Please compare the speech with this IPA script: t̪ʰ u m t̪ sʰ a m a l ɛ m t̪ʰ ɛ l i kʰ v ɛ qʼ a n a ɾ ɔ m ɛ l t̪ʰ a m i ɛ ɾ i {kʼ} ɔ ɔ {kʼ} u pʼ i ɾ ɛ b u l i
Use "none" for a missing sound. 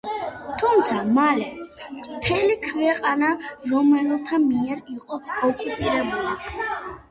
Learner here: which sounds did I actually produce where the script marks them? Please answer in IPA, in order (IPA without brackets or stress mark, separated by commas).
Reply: qʼ, kʼ